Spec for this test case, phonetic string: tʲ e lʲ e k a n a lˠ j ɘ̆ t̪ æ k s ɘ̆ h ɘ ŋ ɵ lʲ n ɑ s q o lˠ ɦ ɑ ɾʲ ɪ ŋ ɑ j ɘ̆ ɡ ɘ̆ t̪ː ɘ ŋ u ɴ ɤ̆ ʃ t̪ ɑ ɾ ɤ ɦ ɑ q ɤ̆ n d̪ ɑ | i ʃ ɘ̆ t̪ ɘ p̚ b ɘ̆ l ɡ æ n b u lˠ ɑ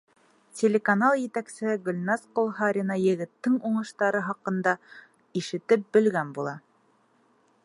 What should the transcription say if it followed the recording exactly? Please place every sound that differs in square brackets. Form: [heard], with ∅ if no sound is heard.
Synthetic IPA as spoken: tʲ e lʲ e k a n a lˠ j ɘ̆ t̪ æ k s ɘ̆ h ɘ [ɡ] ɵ lʲ n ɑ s q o lˠ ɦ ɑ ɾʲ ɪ [n] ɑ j ɘ̆ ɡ ɘ̆ t̪ː ɘ ŋ u ɴ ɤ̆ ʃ t̪ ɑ ɾ ɤ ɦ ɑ q ɤ̆ n d̪ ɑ | i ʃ ɘ̆ t̪ ɘ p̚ b ɘ̆ l ɡ æ n b u lˠ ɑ

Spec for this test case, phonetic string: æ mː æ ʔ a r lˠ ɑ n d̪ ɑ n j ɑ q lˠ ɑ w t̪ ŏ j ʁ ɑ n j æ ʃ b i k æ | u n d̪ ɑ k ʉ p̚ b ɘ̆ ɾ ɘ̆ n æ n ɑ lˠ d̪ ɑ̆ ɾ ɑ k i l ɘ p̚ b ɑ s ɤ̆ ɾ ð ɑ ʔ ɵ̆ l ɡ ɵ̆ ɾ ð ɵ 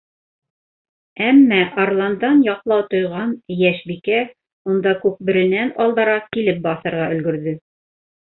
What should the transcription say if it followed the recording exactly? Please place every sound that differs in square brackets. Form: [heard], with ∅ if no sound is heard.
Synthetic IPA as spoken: æ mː æ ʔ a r lˠ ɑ n d̪ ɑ n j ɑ q lˠ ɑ w t̪ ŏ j ʁ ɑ n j æ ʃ b i k æ | u n d̪ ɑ k ʉ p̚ b ɘ̆ ɾ ɘ̆ n æ n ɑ lˠ d̪ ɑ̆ ɾ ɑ k i l ɘ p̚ b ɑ [θ] ɤ̆ ɾ [ʁ] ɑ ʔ ɵ̆ l ɡ ɵ̆ ɾ ð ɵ

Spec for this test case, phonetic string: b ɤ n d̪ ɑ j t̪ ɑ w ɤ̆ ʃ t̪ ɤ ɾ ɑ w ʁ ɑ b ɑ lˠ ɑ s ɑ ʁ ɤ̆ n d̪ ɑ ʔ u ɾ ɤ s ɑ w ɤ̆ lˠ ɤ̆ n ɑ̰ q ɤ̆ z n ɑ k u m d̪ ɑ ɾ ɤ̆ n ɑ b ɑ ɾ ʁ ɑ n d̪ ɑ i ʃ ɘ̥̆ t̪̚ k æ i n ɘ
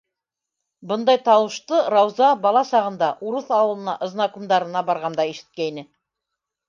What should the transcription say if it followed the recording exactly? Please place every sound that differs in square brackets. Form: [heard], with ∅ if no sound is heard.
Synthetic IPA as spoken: b ɤ n d̪ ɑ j t̪ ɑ w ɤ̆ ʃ t̪ ɤ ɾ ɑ w [z] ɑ b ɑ lˠ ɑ s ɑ ʁ ɤ̆ n d̪ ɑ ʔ u ɾ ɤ [θ] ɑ w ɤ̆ lˠ ɤ̆ n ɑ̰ [ʔ] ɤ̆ z n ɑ k u m d̪ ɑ ɾ ɤ̆ n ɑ b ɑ ɾ ʁ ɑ n d̪ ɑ i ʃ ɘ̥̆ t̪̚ k æ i n ɘ

